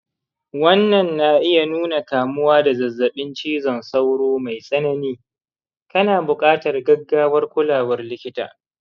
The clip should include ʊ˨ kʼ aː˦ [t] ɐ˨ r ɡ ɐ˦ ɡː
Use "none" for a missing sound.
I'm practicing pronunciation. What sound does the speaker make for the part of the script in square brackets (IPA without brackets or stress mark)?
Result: t